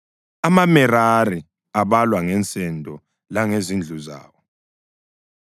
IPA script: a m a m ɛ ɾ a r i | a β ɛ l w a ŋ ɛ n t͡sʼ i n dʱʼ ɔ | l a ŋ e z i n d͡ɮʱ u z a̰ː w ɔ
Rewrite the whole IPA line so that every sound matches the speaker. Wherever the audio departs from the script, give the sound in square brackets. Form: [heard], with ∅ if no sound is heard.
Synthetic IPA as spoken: a m a m ɛ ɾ a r i | a β [a] l w a ŋ ɛ n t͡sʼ [ɛ] n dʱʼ ɔ | l a ŋ e z i n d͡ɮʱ u z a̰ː w ɔ